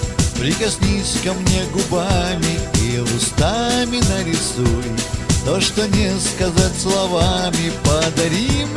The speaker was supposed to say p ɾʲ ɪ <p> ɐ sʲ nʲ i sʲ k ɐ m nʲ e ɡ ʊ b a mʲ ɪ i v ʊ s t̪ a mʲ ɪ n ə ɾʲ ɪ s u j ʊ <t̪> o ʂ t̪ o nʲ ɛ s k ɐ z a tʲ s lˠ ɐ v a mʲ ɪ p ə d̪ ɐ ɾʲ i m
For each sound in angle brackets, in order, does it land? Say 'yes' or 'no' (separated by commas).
no, yes